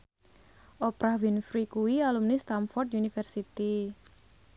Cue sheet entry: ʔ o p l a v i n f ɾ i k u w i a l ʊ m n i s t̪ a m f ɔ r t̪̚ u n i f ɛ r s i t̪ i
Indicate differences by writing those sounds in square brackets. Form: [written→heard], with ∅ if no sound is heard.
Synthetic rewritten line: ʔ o p [l→ɾ] a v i n f ɾ i k u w i a l [ʊ→u] m n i s t̪ a m f ɔ r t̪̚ u n i f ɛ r s i t̪ i